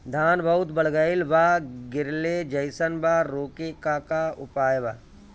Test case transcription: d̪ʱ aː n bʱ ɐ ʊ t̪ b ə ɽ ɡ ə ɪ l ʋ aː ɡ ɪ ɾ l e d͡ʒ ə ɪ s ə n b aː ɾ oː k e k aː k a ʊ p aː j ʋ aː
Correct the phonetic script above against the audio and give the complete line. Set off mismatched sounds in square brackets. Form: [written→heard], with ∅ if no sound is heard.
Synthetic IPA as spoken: d̪ʱ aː n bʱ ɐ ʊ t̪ b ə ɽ ɡ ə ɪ l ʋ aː ɡ ɪ ɾ l e d͡ʒ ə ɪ s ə n b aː ɾ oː k e k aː k a ʊ p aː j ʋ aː